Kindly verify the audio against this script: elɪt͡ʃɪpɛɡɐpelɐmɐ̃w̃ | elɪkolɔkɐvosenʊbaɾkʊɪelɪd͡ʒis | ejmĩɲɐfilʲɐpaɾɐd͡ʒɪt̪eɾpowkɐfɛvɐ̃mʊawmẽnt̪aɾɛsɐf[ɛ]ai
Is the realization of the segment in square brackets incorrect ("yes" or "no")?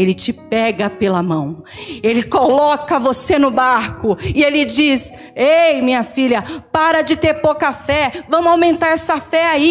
no